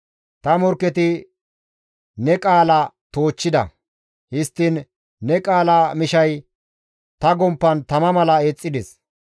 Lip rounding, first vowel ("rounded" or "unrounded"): unrounded